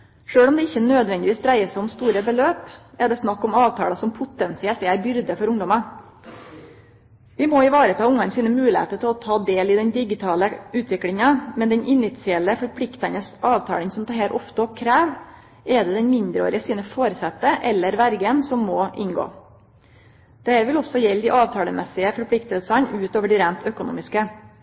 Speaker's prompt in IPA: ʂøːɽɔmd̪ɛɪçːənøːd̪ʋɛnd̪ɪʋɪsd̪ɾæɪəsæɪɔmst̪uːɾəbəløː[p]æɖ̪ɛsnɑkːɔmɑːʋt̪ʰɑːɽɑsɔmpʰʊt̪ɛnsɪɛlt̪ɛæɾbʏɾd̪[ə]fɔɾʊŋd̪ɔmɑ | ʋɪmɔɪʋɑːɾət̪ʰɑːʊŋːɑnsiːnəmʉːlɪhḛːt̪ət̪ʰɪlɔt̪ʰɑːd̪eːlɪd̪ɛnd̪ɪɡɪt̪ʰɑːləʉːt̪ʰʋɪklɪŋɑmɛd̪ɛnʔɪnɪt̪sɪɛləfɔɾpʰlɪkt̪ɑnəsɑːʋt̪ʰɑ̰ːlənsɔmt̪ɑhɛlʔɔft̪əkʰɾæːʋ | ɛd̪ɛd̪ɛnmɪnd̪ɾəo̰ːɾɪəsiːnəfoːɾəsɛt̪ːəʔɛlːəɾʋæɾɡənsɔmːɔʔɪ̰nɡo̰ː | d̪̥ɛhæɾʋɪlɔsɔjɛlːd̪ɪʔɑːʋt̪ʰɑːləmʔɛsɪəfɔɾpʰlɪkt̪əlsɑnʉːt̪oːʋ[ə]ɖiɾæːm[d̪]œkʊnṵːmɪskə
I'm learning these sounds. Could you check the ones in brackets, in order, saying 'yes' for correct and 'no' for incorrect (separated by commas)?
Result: yes, yes, yes, no